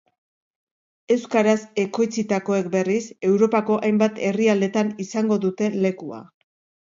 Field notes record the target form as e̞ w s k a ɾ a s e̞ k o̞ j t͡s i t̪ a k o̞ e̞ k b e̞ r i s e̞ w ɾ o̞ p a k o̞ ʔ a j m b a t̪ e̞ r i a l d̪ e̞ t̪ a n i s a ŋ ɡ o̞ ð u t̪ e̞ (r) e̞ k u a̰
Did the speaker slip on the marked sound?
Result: yes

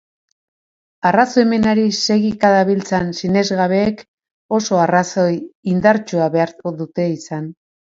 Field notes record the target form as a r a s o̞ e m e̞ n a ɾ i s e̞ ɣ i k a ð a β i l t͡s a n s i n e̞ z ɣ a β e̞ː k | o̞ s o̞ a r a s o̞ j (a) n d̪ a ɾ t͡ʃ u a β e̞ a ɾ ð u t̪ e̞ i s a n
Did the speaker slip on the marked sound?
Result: yes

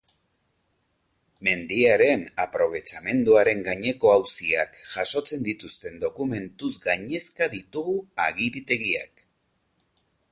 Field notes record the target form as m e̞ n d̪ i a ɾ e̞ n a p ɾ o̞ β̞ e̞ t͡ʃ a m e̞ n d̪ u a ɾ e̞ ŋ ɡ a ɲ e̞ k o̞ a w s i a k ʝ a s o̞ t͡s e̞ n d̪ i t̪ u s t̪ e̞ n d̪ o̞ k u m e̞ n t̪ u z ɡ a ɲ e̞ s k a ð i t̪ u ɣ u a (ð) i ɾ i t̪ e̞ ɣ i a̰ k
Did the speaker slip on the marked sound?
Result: yes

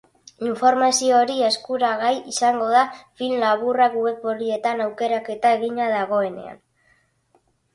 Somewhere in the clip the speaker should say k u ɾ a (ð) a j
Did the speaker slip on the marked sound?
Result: yes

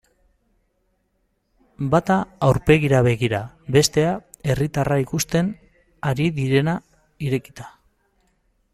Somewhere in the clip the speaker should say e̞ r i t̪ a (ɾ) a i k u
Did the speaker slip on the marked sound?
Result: yes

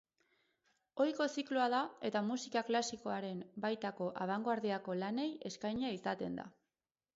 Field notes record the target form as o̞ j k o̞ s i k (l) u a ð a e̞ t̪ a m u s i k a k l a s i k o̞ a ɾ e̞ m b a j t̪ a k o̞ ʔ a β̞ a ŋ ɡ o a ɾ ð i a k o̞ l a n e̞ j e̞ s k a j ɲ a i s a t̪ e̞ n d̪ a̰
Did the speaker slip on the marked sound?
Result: no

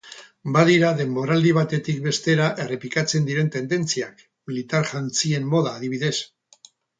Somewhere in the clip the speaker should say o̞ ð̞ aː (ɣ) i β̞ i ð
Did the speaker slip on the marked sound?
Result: yes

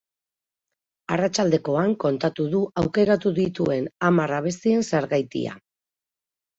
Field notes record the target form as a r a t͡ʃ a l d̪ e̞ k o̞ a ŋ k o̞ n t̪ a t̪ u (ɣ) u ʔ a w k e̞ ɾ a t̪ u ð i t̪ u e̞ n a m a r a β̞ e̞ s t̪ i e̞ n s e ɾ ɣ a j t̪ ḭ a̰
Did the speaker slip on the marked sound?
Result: yes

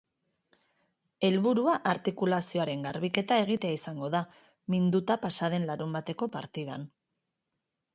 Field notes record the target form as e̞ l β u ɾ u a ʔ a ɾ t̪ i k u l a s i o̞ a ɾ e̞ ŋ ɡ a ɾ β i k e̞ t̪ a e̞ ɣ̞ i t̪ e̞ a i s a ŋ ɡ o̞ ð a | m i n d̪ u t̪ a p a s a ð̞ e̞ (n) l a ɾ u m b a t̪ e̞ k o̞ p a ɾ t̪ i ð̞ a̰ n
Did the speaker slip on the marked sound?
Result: no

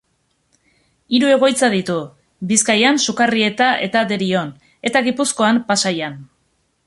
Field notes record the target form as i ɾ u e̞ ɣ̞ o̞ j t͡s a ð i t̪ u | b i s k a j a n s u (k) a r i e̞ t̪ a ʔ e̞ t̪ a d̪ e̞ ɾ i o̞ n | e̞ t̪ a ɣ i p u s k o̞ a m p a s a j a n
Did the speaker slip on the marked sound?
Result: no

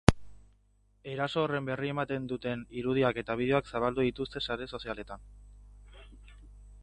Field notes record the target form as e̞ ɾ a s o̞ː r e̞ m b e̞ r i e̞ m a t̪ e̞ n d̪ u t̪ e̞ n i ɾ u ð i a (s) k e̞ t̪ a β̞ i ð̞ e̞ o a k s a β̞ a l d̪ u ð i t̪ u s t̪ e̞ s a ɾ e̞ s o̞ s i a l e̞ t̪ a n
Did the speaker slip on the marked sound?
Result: yes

